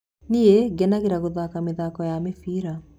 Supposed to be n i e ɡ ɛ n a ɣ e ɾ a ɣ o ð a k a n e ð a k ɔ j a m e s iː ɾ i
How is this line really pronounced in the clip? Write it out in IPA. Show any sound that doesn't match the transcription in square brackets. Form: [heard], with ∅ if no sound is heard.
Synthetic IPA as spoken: n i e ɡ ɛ n a ɣ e ɾ a ɣ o ð a k a [m] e ð a k ɔ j a m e [f] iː ɾ [a]